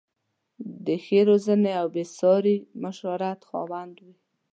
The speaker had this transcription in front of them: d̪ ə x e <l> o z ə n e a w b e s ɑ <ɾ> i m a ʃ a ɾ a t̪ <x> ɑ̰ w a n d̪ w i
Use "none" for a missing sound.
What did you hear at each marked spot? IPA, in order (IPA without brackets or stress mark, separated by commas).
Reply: ɾ, ɾ, x